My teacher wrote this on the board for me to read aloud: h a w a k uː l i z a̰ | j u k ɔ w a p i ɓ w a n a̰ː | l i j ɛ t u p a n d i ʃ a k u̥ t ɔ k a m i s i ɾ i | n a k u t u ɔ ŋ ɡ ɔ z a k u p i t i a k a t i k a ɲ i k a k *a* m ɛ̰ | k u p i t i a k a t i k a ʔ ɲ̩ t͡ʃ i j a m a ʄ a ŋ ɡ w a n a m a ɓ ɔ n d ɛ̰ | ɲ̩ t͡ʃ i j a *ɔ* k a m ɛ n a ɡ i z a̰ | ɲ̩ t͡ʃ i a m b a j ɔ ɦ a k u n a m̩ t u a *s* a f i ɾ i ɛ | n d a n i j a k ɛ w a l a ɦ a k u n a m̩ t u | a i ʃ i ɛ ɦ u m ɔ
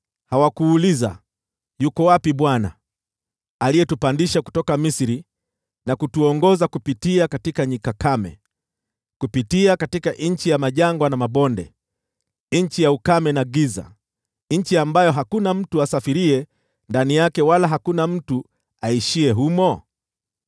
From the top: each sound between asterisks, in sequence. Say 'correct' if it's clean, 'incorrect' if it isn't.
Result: correct, incorrect, correct

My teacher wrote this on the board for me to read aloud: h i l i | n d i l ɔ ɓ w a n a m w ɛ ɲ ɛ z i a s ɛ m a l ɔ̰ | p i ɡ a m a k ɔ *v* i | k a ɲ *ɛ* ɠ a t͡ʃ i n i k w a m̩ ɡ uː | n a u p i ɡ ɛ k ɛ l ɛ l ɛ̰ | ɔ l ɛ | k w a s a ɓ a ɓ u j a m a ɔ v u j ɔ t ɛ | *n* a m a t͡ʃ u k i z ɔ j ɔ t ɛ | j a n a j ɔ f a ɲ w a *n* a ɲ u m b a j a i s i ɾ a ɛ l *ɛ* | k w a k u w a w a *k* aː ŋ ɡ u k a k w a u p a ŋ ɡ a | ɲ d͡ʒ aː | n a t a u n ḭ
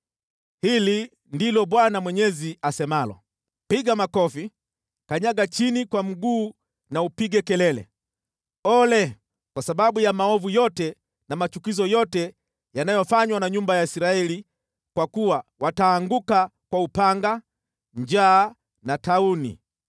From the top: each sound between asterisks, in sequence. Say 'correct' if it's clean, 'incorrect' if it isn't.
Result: incorrect, incorrect, correct, correct, incorrect, incorrect

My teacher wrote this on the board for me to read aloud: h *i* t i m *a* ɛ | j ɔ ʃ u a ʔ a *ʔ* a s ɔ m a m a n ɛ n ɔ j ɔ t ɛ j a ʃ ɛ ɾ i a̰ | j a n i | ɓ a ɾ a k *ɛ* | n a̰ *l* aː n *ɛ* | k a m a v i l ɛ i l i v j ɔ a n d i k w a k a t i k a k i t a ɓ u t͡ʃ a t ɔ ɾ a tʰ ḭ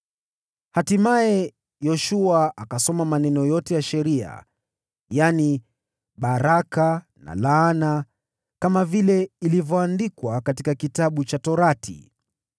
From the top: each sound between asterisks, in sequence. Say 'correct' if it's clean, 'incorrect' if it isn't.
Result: incorrect, correct, incorrect, incorrect, correct, incorrect

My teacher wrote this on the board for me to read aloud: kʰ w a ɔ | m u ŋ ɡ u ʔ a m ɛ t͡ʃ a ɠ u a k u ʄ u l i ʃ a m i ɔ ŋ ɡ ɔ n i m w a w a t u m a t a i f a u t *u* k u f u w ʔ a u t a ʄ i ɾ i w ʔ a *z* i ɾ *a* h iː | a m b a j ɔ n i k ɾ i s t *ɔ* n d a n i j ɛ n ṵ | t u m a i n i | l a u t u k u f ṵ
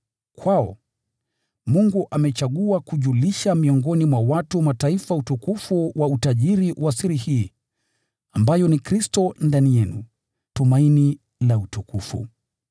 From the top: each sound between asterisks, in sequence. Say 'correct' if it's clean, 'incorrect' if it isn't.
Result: correct, incorrect, incorrect, correct

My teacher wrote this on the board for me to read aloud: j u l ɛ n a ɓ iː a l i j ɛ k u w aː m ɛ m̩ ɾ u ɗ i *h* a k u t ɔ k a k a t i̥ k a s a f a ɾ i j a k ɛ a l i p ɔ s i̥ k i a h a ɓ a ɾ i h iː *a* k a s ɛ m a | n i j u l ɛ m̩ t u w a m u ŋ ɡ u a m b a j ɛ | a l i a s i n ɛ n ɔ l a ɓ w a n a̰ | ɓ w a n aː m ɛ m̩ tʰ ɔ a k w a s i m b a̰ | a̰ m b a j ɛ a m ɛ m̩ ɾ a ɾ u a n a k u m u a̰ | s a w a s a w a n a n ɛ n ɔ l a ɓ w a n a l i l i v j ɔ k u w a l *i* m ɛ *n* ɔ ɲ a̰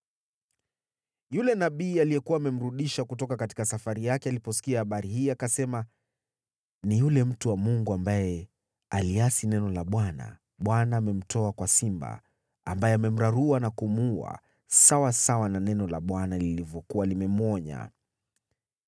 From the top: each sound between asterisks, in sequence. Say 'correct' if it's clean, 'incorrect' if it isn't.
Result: incorrect, correct, correct, incorrect

